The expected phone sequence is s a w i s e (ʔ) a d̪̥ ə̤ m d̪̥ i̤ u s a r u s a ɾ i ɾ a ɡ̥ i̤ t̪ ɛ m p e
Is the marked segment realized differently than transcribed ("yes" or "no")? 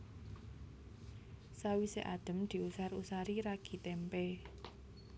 no